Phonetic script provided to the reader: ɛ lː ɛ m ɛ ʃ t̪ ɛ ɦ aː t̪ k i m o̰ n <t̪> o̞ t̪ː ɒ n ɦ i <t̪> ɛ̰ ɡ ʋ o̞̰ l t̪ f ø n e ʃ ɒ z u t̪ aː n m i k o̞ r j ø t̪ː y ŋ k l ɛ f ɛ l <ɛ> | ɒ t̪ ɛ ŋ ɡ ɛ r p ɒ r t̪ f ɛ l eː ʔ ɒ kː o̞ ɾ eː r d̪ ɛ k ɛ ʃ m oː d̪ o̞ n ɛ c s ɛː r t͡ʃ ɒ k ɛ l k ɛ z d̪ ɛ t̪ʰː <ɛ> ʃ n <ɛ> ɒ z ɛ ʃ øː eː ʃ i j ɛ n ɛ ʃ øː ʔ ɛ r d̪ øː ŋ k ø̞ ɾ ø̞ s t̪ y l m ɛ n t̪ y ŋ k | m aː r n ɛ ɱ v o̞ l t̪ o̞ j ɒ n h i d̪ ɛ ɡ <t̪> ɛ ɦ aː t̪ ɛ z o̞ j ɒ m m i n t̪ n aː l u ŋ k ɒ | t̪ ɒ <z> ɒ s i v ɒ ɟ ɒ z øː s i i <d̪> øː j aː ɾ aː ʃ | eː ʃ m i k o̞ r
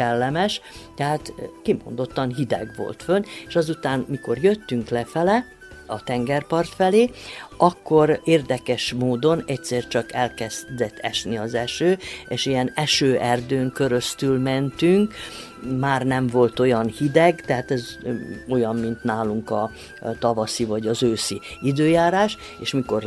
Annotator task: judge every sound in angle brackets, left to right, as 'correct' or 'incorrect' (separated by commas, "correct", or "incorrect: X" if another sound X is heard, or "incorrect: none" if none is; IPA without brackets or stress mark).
incorrect: d̪, incorrect: d̪, correct, correct, incorrect: i, correct, incorrect: v, correct